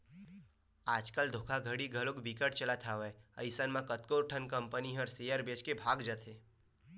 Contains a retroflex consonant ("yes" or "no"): yes